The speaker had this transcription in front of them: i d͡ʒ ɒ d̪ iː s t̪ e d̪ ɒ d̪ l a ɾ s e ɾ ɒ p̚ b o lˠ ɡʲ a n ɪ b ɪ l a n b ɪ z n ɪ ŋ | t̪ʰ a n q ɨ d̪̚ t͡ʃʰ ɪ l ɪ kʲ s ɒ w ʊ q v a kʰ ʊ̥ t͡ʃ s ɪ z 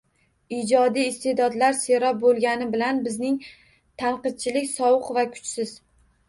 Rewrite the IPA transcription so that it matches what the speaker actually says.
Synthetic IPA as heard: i d͡ʒ ɒ d̪ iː s t̪ e d̪ ɒ d̪ l a ɾ s e ɾ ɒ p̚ b o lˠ ɡʲ a n ɪ b ɪ l a n b ɪ z n ɪ ŋ | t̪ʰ a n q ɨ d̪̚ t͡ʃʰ ɪ l ɪ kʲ s ɒ w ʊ q v a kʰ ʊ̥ t͡ʃ s ɪ z